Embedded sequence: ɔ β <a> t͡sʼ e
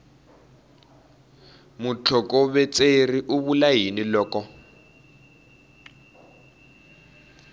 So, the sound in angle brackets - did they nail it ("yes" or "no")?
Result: no